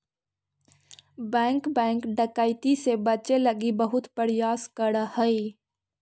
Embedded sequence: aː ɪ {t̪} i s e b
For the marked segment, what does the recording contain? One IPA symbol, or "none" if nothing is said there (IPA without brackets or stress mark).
t̪